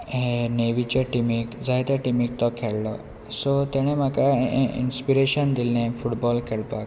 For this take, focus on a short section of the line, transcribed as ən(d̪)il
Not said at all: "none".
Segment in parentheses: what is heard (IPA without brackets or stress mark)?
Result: d̪